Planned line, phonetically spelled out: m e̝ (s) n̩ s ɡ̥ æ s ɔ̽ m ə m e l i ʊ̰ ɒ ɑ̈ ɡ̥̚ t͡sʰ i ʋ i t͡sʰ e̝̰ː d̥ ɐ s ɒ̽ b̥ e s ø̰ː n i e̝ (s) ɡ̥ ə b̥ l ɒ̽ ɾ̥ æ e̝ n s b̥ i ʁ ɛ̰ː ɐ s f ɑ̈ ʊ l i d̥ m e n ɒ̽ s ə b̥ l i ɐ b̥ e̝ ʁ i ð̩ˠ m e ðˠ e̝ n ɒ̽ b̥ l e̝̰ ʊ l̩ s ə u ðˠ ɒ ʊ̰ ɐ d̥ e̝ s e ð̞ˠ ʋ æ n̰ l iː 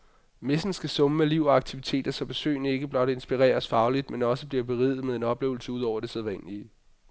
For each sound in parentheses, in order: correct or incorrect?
correct, incorrect: none

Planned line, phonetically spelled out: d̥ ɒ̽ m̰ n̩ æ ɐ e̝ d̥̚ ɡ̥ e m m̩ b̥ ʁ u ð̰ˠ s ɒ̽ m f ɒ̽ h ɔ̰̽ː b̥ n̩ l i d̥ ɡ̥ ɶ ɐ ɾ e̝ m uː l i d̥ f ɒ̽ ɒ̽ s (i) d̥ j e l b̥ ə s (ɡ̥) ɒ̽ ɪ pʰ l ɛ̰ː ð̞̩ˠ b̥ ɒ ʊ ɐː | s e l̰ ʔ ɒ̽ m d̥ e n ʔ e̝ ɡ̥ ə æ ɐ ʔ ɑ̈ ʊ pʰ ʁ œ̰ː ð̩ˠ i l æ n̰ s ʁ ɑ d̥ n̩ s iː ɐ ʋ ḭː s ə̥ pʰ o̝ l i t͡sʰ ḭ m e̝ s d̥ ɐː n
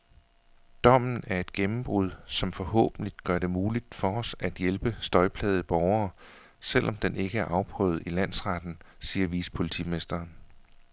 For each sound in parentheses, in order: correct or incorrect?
incorrect: æ, incorrect: d̥

